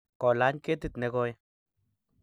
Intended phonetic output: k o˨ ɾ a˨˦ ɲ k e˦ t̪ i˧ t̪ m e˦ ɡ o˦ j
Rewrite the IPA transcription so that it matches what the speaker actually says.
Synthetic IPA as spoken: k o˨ l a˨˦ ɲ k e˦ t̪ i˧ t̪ n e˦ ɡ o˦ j